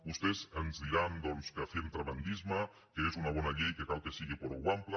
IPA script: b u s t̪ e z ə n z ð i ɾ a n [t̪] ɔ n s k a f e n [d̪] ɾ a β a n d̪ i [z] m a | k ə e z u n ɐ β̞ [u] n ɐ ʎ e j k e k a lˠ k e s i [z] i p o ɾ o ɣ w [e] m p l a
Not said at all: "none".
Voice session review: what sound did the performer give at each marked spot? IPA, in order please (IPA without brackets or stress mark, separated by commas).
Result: d̪, t̪, z, ɔ, ɣ, a